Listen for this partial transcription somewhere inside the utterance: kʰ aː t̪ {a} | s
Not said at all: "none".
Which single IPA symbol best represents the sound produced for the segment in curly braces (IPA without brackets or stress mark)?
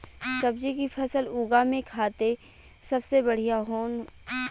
e